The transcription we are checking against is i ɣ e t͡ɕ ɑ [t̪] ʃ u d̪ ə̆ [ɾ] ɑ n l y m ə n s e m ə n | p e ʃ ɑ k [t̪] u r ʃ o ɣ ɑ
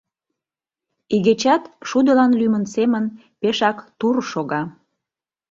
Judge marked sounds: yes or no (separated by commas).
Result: yes, no, yes